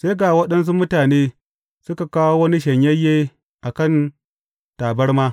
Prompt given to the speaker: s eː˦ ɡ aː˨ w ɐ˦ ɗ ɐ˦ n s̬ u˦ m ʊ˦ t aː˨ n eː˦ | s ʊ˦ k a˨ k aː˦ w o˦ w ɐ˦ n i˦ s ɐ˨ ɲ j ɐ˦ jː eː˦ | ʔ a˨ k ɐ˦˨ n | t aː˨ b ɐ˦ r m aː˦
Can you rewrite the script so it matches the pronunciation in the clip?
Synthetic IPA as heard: s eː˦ ɡ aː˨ w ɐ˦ ɗ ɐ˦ n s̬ u˦ m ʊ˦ t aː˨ n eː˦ | s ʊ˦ k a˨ k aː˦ w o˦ w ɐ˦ n i˦ ʃ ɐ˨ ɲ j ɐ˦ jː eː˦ | ʔ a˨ k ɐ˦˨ n | t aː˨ b ɐ˦ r m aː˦